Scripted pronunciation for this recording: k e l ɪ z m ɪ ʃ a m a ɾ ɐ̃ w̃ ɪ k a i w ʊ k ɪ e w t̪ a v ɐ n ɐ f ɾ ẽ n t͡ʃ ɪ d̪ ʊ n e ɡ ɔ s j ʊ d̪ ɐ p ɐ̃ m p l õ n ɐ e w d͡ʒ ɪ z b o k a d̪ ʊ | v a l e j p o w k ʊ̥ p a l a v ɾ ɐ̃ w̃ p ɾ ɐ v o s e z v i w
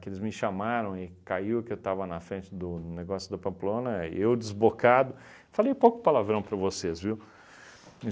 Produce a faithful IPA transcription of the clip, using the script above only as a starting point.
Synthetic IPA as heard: k e l ɪ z m ɪ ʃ a m a ɾ ɐ̃ w̃ ɪ k a i w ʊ k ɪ e w t̪ a v ɐ n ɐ f ɾ ẽ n t͡ʃ ɪ d̪ ʊ n e ɡ ɔ s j ʊ d̪ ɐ p ɐ̃ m p l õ n ɐ e w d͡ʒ ɪ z b o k a d̪ ʊ | f a l e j p o w k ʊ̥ p a l a v ɾ ɐ̃ w̃ p ɾ ɐ v o s e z v i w

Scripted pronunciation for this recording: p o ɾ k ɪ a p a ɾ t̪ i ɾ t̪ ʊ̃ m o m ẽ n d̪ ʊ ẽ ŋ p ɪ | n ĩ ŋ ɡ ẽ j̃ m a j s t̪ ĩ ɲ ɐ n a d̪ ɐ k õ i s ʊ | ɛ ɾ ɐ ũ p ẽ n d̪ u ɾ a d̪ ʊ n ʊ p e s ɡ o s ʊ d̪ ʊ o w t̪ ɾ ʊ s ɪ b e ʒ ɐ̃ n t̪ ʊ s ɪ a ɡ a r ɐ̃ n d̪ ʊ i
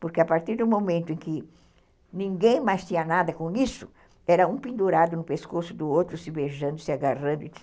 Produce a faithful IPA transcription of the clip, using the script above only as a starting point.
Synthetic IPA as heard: p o ɾ k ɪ a p a ɾ t̪ i ɾ d̪ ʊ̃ m o m ẽ n t̪ ʊ ẽ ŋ k ɪ | n ĩ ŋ ɡ ẽ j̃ m a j s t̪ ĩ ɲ ɐ n a d̪ ɐ k õ i s ʊ | ɛ ɾ ɐ ũ p ĩ n d̪ u ɾ a d̪ ʊ n ʊ p e s k o s ʊ d̪ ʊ o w t̪ ɾ ʊ s ɪ b e ʒ ɐ̃ n d̪ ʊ s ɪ a ɡ a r ɐ̃ n d̪ ʊ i

